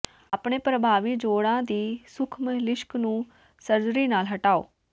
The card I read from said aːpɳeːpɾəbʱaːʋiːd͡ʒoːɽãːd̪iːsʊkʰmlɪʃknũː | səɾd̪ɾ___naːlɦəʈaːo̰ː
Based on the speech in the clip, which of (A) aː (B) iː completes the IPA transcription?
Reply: B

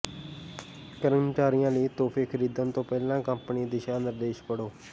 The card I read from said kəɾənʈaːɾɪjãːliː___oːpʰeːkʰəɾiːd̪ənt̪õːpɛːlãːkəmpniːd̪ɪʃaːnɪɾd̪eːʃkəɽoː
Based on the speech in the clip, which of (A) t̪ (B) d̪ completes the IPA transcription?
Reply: A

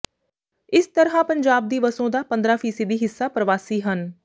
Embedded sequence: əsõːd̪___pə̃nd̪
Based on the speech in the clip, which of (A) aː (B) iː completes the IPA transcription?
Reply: A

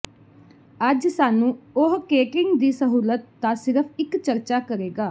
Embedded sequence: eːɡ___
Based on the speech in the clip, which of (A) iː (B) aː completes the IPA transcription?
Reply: B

